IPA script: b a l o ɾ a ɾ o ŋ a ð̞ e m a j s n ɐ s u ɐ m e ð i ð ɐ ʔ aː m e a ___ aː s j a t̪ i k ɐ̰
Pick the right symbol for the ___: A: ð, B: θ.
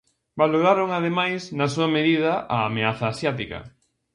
B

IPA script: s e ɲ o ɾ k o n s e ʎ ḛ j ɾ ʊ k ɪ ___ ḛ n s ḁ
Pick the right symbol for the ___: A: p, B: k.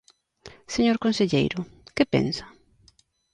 A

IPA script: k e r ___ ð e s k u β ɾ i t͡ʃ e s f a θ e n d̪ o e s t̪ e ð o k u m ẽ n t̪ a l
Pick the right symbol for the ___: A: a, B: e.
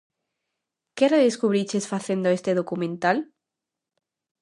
B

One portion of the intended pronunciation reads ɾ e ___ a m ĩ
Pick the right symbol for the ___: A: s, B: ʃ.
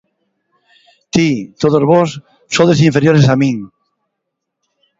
A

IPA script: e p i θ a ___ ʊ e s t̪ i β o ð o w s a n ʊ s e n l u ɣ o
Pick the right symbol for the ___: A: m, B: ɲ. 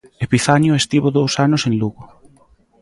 B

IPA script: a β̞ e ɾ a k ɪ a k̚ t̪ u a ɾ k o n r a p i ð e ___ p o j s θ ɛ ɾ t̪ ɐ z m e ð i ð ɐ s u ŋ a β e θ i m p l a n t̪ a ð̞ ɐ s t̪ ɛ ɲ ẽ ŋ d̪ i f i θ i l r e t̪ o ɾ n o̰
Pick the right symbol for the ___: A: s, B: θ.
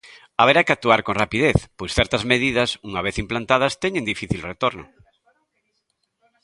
B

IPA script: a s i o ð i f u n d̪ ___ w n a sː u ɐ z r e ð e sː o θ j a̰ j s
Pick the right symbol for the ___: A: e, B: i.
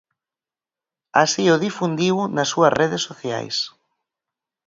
B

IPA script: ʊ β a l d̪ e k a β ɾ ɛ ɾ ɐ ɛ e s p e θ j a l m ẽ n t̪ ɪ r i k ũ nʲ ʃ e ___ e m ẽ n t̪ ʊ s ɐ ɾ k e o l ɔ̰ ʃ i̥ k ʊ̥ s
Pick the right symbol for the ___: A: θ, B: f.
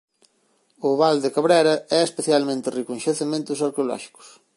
A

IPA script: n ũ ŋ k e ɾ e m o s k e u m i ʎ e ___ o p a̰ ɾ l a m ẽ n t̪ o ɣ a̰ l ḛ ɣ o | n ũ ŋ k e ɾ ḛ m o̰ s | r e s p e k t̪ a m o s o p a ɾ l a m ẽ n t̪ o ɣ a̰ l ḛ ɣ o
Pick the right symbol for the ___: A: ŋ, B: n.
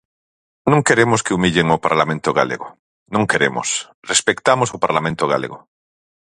A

